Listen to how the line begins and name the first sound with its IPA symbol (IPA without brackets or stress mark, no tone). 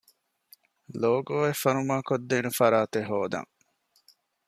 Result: l